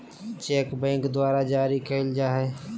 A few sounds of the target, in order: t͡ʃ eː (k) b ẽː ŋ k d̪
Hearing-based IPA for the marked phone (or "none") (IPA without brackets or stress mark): k